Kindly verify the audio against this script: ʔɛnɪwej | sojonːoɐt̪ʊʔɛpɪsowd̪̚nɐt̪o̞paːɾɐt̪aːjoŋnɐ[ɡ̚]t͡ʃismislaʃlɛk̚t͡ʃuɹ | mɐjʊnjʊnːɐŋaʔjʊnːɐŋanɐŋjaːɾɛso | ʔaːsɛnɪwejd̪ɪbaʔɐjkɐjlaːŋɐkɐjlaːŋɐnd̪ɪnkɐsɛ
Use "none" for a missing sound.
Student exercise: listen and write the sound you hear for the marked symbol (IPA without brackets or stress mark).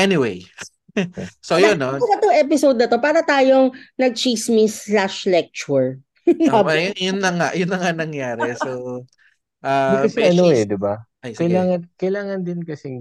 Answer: ɡ̚